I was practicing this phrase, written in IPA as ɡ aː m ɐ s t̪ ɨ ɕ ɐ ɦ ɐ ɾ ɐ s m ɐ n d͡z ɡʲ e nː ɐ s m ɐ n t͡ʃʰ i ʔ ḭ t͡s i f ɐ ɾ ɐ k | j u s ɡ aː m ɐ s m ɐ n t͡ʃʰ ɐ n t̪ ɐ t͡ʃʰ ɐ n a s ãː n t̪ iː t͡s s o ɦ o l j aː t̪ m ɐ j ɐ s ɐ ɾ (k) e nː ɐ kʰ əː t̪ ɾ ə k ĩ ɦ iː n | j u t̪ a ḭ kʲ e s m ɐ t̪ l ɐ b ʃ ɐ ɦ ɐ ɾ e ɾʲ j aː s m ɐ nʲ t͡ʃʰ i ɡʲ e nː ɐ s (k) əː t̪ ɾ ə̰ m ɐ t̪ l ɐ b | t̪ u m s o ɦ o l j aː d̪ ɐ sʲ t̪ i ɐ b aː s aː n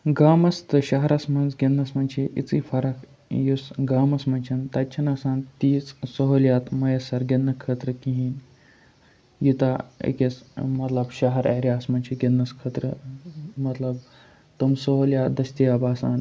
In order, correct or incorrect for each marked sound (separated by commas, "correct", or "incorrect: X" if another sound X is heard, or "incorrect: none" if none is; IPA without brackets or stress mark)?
incorrect: ɡ, incorrect: kʰ